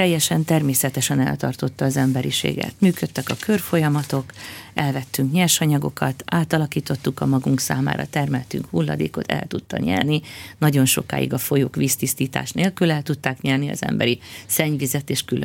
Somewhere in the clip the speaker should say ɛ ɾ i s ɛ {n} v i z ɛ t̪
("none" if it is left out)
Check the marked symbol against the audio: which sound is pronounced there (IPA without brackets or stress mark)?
ɲ